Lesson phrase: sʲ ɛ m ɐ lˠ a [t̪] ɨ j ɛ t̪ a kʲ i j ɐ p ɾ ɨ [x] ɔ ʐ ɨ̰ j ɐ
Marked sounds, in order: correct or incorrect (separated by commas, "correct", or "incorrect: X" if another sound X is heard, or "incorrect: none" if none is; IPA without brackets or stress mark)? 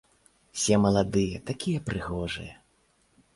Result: incorrect: d̪, incorrect: ɣ